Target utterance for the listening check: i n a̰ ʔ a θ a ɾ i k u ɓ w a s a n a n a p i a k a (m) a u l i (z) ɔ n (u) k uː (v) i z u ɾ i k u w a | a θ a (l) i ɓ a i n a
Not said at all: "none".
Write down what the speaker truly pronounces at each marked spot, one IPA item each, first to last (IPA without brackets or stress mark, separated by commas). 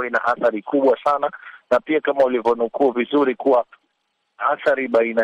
m, v, u, v, ɾ